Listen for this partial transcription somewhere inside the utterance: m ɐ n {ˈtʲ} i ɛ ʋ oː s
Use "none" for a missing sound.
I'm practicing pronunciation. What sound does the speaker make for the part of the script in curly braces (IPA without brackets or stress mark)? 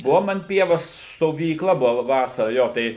pʲ